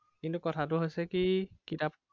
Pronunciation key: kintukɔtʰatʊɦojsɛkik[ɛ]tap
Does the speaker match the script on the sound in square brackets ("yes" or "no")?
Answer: no